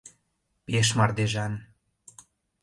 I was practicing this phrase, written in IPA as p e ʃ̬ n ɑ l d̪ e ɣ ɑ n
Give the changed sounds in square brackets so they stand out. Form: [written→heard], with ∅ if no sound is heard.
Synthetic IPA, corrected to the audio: p e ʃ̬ [n→m] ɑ [l→r] d̪ e [ɣ→ʒ] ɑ n